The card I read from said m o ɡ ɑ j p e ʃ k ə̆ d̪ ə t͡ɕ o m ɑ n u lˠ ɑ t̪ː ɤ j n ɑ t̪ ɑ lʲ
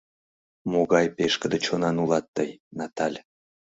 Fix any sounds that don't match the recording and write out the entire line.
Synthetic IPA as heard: m o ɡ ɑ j p e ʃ k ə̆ d̪ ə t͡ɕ o n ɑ n u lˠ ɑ t̪ː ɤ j n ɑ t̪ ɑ lʲ